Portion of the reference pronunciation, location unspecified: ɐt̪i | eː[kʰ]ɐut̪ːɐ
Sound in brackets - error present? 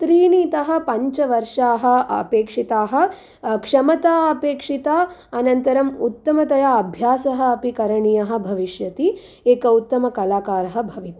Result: yes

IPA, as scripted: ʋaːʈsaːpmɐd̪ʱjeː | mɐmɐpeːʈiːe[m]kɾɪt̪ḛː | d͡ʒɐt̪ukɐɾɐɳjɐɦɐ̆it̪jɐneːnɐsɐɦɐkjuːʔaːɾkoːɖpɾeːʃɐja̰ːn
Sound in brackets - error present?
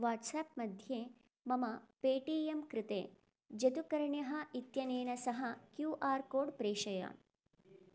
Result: no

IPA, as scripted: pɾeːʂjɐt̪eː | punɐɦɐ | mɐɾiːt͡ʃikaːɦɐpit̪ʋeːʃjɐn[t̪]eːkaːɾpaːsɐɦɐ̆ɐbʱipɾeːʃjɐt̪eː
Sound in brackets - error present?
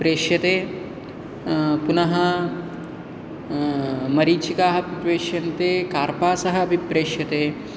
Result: no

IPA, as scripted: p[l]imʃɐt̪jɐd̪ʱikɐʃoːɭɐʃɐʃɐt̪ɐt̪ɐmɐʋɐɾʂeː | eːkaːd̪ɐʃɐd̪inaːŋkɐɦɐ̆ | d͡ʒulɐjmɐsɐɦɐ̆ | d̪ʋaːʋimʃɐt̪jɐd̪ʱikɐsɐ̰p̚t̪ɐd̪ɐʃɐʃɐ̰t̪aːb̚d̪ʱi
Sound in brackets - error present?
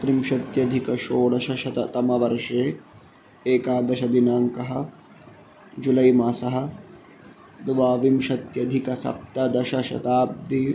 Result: yes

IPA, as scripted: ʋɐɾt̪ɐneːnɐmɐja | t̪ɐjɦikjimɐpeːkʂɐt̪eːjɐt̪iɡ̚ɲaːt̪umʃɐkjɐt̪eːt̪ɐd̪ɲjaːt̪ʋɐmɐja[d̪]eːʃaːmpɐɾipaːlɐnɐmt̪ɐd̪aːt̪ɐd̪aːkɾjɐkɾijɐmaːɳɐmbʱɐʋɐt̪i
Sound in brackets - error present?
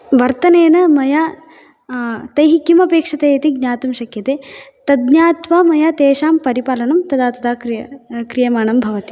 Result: yes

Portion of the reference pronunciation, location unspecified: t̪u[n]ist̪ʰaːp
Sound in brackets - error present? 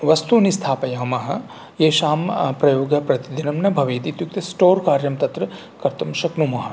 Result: no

